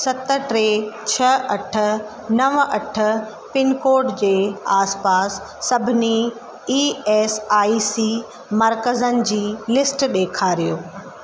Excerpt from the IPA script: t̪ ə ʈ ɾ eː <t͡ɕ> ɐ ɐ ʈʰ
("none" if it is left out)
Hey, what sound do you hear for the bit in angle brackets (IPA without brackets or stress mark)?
t͡ɕʰ